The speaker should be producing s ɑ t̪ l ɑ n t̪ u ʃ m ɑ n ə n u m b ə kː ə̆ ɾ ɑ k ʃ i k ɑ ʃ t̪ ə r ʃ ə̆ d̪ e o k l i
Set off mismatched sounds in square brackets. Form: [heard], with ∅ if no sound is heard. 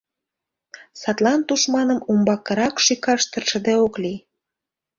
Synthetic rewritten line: s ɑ t̪ l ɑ n t̪ u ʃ m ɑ n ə [m] u m b [ɑ] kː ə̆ ɾ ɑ k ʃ i k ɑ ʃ t̪ ə r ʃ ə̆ d̪ e o k l i